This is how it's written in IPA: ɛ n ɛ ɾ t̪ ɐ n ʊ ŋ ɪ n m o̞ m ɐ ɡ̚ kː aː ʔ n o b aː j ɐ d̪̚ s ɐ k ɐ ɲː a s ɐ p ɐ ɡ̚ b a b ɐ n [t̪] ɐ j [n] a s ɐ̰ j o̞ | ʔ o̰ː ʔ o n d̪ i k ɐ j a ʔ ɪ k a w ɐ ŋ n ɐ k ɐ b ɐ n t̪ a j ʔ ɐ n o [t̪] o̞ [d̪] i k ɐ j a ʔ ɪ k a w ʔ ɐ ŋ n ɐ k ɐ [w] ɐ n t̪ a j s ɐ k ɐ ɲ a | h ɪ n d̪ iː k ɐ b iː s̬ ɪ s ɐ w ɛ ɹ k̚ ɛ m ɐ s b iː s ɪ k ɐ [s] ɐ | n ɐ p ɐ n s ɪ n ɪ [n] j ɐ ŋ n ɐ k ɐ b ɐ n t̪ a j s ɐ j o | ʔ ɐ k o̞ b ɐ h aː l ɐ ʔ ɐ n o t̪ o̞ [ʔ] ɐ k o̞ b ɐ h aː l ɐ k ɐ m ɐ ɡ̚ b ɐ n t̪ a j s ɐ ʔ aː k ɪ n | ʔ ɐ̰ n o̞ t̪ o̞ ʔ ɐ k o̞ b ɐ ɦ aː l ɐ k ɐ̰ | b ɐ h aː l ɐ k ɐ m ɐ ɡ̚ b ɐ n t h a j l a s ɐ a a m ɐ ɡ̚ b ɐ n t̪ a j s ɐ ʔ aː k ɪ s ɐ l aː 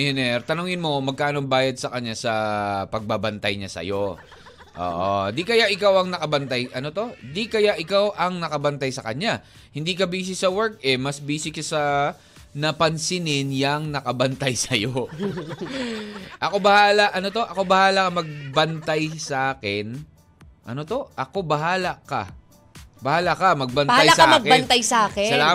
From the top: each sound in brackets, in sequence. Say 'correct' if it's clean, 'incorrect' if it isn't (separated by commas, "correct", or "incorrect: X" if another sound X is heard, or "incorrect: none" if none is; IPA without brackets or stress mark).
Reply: correct, incorrect: ɲ, correct, correct, incorrect: b, correct, correct, correct